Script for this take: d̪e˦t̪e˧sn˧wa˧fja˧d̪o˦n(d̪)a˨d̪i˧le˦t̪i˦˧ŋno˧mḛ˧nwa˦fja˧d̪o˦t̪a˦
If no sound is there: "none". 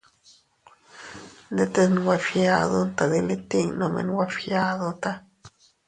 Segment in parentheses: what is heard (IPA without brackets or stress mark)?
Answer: t̪